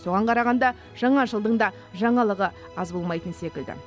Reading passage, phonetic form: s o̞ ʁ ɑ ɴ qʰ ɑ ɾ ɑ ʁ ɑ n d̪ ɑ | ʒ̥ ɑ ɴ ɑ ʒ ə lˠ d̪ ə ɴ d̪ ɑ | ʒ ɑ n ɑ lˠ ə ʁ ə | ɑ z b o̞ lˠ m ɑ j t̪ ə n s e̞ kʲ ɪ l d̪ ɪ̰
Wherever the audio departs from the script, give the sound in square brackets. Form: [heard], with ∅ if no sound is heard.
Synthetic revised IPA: s o̞ ʁ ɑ ɴ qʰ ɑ ɾ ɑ ʁ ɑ n d̪ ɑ | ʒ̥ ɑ ɴ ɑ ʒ ə lˠ d̪ ə ɴ d̪ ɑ | ʒ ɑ [ɴ] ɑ lˠ ə ʁ ə | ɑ z b o̞ lˠ m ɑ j t̪ ə n s e̞ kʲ ɪ l d̪ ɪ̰